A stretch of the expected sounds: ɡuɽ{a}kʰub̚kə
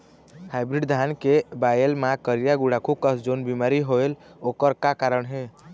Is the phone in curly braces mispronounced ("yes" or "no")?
no